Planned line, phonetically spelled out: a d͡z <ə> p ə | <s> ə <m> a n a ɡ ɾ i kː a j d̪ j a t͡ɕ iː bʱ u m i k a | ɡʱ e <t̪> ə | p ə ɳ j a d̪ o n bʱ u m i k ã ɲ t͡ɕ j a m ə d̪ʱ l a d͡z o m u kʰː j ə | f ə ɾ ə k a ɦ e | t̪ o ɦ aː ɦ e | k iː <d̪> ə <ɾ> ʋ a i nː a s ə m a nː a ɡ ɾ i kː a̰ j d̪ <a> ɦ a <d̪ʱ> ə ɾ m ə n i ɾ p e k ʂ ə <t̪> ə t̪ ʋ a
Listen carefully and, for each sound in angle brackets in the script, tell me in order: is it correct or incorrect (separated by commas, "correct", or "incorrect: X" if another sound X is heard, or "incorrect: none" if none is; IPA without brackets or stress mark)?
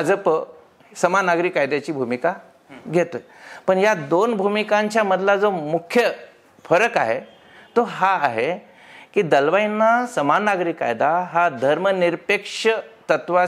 correct, correct, correct, correct, correct, incorrect: l, correct, correct, correct